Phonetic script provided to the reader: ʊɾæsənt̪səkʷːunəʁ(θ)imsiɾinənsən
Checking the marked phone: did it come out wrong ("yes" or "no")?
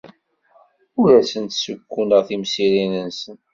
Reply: no